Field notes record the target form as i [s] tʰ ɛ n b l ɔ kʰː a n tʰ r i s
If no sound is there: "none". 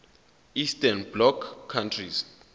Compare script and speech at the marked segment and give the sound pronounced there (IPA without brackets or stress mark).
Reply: s